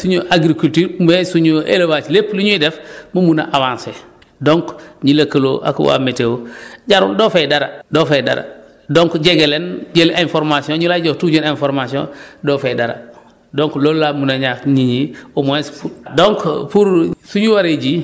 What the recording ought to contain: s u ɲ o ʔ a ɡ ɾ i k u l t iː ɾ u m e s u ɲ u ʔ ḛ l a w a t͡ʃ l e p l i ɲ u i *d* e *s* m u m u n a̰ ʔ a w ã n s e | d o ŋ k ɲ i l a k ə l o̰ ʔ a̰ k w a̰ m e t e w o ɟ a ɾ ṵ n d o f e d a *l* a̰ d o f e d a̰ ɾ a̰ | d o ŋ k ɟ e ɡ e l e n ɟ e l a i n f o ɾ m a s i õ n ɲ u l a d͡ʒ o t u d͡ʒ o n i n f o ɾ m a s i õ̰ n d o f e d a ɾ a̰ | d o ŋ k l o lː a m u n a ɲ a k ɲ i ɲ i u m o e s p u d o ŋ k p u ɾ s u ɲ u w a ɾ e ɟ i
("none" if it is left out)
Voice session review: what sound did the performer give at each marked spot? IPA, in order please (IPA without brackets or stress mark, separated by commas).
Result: d, f, ɾ